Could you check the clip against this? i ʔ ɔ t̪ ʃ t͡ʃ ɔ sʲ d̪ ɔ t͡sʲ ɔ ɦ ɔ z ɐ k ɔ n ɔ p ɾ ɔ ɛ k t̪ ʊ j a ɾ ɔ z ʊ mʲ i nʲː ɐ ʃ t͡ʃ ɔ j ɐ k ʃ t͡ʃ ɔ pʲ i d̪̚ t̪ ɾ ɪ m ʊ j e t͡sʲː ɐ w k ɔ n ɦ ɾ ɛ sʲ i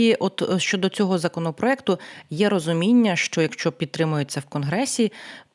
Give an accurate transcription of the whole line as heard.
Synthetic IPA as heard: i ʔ ɔ t̪ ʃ t͡ʃ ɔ d̪ ɔ t͡sʲ ɔ ɦ ɔ z ɐ k ɔ n ɔ p ɾ ɔ ɛ k t̪ ʊ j ɛ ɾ ɔ z ʊ mʲ i nʲː ɐ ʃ t͡ʃ ɔ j ɐ k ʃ t͡ʃ ɔ pʲ i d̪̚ t̪ ɾ ɪ m ʊ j e t͡sʲː ɐ w k ɔ n ɦ ɾ ɛ sʲ i